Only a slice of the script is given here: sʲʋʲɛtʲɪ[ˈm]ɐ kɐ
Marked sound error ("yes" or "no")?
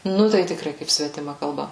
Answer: no